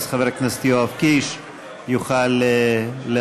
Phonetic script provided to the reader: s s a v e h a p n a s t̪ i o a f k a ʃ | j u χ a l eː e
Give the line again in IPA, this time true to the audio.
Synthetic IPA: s χ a v e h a k n a s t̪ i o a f k i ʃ | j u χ a l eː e